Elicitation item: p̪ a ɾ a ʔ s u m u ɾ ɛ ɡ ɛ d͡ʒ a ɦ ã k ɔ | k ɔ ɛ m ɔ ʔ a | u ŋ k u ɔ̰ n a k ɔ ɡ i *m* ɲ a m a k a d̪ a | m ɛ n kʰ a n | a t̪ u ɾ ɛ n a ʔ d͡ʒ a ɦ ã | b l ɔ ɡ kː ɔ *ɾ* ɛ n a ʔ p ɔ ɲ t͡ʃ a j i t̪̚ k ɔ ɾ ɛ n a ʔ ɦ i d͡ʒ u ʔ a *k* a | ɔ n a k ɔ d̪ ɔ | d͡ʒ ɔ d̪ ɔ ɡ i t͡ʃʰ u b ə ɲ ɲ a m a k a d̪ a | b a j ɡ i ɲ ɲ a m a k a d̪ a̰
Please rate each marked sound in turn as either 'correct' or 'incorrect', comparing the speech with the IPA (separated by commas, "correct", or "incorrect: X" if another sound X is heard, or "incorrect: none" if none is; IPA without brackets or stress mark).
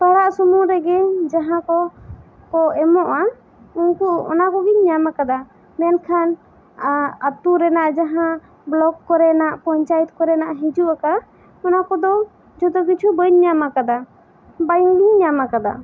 incorrect: ɲ, correct, correct